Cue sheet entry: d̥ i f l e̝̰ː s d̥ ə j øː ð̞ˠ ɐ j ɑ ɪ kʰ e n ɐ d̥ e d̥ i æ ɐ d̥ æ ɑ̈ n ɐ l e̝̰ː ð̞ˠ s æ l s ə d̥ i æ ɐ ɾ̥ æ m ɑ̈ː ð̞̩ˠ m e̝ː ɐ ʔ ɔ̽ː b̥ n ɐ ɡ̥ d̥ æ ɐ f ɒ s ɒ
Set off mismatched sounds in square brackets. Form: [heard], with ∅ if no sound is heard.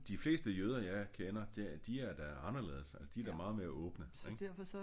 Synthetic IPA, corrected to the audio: d̥ i f l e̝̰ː s d̥ ə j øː ð̞ˠ ɐ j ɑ ɪ kʰ e n ɐ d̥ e d̥ i æ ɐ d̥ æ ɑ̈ n ɐ l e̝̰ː ð̞ˠ s æ l s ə d̥ i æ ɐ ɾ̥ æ m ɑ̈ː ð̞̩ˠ m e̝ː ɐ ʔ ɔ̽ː b̥ n [ə] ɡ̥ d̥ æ ɐ f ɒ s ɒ